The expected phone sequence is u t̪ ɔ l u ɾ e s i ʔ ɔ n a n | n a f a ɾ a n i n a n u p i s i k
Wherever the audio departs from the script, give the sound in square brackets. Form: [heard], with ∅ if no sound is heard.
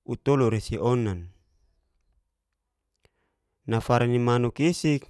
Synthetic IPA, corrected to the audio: u t̪ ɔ l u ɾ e s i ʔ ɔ n a n | n a f a ɾ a n i [m] a n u [k] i s i k